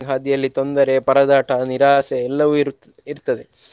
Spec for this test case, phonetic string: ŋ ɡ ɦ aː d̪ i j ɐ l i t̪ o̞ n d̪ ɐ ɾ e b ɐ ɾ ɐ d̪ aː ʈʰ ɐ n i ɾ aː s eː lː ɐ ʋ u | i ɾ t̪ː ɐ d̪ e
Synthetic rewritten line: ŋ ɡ ɦ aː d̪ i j ɐ lː i t̪ o̞ n d̪ ɐ ɾ e p ɐ ɾ ɐ d̪ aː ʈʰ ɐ n i ɾ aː s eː lː ɐ ʋ u | i ɾ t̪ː ɐ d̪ e